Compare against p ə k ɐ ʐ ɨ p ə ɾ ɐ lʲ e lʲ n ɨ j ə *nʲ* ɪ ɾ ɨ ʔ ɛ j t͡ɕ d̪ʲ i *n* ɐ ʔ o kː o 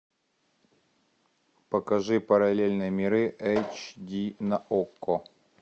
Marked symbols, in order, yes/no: no, yes

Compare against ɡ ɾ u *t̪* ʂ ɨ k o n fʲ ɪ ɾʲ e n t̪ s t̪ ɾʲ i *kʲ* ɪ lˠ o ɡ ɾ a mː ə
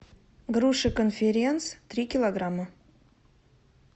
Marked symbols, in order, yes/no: no, yes

